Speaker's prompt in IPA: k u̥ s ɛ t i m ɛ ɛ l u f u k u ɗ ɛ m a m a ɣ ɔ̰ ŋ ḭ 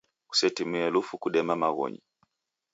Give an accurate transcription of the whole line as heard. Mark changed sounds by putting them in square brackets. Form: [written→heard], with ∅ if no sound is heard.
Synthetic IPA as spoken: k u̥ s ɛ t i m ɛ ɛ l u f u k u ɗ ɛ m a m a ɣ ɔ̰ [ŋ→ɲ] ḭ